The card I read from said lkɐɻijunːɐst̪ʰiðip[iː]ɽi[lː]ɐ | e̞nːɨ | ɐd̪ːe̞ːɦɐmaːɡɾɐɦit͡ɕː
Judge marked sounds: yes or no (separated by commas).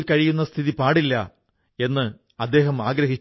no, yes